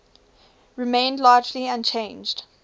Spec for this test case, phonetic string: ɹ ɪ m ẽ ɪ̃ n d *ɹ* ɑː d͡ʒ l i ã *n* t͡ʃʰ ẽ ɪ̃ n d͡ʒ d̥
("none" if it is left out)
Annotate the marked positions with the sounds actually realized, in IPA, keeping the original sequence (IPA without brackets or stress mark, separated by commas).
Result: l, n